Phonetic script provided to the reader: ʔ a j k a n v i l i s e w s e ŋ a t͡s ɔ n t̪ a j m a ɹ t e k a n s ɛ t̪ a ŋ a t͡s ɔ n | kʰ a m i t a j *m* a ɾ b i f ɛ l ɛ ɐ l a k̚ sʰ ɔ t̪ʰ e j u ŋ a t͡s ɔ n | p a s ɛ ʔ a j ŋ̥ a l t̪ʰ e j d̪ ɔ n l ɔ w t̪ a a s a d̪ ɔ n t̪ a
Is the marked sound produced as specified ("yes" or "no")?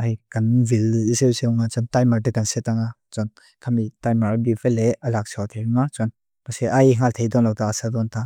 yes